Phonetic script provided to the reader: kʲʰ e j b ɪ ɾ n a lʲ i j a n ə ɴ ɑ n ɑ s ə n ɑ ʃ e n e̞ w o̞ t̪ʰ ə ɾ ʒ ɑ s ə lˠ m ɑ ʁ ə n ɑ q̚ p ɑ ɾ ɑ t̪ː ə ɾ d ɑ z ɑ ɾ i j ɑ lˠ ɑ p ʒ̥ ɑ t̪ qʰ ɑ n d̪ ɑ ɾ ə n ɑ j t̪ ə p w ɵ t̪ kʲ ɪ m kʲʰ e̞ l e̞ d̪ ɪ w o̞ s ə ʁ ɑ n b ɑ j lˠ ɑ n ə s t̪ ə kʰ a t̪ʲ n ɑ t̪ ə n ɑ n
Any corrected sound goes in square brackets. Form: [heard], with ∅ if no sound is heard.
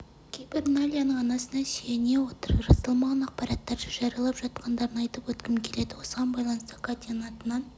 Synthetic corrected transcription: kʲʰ e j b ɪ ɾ n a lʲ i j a n ə ɴ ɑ n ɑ s ə n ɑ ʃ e n e̞ w o̞ [t̪] ə ɾ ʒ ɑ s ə lˠ m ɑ ʁ [ɑ] n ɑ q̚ p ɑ ɾ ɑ t̪ː [ɑ] ɾ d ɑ [ʒ] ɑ ɾ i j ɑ lˠ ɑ p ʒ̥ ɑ t̪ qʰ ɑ n d̪ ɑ ɾ ə n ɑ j t̪ ə p w ɵ t̪ kʲ ɪ m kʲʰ e̞ l e̞ d̪ ɪ w o̞ s ə ʁ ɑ n b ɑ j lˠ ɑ n ə s t̪ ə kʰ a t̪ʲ n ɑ t̪ ə n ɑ n